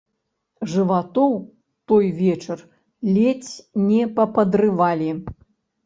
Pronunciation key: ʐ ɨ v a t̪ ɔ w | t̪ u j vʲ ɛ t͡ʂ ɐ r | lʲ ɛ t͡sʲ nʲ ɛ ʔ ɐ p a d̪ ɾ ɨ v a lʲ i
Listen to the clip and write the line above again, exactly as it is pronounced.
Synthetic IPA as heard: ʐ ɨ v a t̪ ɔ w | t̪ ɔ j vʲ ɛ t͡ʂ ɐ r | lʲ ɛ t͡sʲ nʲ ɛ p ɐ p ɐ d̪ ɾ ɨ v a lʲ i